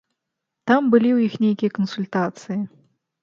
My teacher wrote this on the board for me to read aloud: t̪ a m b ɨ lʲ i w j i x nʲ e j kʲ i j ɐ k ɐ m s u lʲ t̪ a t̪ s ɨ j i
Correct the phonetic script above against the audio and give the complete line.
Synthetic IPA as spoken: t̪ a m b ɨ lʲ i w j i x nʲ e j kʲ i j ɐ k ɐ n s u lʲ t̪ a t̪ s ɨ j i